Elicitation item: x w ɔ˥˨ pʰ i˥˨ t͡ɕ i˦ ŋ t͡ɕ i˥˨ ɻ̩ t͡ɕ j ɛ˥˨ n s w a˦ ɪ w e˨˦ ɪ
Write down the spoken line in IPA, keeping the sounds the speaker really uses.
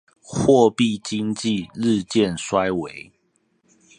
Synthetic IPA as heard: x w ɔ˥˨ p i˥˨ t͡ɕ i˦ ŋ t͡ɕ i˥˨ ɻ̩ t͡ɕ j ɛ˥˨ n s w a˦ ɪ w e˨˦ ɪ